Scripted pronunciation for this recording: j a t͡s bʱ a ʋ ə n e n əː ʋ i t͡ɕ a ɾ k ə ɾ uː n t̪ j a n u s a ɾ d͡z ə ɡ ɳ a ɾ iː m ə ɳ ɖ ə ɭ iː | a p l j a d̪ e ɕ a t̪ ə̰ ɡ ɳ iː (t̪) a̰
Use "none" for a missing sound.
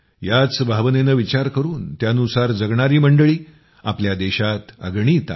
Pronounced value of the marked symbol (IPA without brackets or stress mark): t̪